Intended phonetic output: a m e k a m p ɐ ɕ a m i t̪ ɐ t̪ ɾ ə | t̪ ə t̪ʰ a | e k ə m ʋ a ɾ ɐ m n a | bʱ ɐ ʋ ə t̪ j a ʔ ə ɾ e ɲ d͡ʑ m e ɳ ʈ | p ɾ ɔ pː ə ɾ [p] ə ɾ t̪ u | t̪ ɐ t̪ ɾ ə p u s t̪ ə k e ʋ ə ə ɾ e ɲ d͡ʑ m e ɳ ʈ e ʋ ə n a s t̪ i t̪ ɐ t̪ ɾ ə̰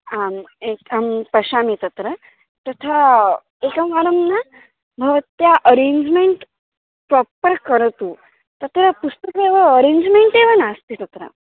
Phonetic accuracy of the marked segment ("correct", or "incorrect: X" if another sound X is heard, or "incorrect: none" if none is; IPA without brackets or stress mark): incorrect: k